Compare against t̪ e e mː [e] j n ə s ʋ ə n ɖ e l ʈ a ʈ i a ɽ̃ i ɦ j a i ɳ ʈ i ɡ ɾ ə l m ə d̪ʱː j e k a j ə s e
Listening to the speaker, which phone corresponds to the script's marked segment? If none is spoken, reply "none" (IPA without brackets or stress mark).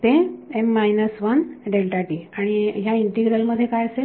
a